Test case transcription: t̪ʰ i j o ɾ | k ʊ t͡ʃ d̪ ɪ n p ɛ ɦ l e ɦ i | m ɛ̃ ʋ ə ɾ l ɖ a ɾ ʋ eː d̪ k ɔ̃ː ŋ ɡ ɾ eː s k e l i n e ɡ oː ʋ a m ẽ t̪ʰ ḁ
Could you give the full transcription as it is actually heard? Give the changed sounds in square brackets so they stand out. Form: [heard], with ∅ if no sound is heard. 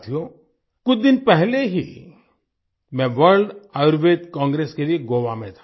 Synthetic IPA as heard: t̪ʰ i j o [∅] | k ʊ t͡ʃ d̪ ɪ n p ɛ ɦ l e ɦ i | m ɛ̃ ʋ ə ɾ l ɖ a ɾ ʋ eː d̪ k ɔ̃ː ŋ ɡ ɾ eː s k e l i [∅] e ɡ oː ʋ a m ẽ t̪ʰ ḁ